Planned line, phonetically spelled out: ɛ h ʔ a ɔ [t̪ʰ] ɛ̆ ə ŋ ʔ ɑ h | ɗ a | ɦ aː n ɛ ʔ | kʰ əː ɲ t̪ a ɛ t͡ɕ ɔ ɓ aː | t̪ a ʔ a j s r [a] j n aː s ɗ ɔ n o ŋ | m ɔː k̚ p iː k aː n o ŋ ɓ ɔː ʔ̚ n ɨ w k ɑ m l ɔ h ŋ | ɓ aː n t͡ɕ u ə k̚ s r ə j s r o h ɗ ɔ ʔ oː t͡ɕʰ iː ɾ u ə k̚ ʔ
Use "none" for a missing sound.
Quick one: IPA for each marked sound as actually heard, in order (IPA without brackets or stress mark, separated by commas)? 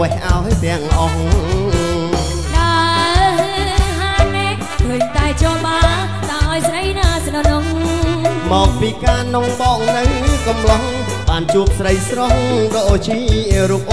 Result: t̪, ə